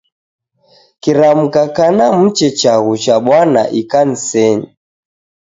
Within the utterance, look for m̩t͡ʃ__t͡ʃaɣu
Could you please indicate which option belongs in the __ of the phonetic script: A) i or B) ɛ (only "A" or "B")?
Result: B